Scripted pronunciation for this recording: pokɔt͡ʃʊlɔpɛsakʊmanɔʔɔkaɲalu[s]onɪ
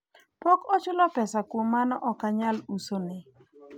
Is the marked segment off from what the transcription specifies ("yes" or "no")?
no